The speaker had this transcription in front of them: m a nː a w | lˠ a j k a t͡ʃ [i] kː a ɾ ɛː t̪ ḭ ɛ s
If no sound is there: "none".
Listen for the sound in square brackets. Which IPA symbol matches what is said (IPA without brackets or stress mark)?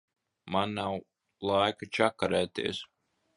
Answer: a